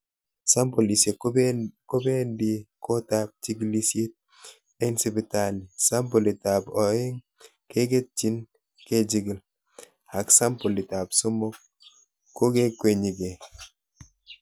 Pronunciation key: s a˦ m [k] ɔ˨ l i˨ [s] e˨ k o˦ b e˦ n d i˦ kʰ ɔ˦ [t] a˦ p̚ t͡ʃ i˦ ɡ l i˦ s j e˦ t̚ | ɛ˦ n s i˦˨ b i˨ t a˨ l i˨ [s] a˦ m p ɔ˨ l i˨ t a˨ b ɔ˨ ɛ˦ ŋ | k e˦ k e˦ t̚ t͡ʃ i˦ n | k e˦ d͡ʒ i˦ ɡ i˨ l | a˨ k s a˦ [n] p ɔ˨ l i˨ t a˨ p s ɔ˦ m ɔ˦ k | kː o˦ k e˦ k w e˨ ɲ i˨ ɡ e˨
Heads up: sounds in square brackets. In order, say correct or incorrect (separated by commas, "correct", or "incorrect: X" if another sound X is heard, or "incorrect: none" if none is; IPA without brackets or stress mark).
incorrect: p, correct, correct, correct, incorrect: m